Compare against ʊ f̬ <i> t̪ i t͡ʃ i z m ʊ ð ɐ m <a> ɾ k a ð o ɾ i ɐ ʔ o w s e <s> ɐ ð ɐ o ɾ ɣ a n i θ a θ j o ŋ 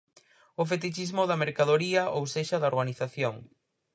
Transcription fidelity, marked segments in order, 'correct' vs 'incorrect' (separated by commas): incorrect, incorrect, incorrect